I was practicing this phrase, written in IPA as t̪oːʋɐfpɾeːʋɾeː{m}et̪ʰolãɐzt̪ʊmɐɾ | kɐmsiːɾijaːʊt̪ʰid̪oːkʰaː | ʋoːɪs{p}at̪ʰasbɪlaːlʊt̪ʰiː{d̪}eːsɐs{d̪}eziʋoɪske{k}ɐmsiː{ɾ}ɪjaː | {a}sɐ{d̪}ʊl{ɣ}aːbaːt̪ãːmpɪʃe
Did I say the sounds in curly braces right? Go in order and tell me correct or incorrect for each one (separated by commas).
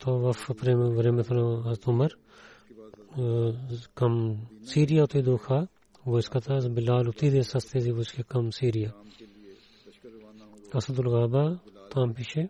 correct, incorrect, correct, incorrect, correct, correct, incorrect, correct, correct